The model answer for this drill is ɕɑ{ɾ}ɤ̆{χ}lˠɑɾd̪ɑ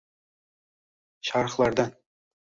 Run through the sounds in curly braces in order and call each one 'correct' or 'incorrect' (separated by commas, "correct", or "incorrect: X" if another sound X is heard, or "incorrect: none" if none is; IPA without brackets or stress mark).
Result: correct, correct